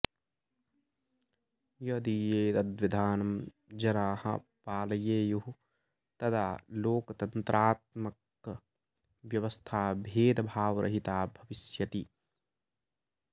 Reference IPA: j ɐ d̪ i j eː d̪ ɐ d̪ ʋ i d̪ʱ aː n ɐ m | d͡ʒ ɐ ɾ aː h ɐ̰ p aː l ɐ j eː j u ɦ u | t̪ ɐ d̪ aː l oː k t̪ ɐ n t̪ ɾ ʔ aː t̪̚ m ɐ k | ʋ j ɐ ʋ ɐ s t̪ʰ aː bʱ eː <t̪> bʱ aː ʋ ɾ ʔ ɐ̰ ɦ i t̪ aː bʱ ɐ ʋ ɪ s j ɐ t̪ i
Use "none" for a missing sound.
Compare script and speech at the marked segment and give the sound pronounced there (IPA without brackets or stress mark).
d̪